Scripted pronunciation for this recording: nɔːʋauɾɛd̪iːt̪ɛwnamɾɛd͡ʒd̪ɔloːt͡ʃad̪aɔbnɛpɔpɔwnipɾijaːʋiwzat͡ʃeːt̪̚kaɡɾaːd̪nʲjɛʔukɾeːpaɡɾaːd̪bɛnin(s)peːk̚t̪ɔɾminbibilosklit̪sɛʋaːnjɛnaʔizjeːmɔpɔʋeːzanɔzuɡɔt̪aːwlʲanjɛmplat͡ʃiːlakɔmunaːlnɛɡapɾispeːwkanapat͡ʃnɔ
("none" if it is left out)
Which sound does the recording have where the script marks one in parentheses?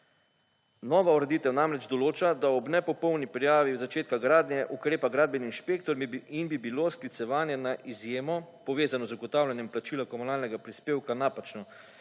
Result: ʃ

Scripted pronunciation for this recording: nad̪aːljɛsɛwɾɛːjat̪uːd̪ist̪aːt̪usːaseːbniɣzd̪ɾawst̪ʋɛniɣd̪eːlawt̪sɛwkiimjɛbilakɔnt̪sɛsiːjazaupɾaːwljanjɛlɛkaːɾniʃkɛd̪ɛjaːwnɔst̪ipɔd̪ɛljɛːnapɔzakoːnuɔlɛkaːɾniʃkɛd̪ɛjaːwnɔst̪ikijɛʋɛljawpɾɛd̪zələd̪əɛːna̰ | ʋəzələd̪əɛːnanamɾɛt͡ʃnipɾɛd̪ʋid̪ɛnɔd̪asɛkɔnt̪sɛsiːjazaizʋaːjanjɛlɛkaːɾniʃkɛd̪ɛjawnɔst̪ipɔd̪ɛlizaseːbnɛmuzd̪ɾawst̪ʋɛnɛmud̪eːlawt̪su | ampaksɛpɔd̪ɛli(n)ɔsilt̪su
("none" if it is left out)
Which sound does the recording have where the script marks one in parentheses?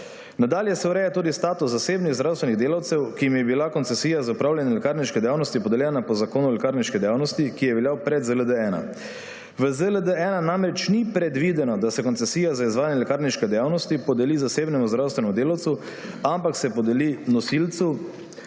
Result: n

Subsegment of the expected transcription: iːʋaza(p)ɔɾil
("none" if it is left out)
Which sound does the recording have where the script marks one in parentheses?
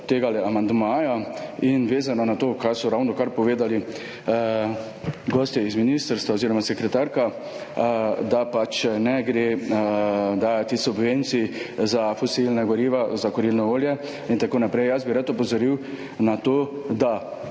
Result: k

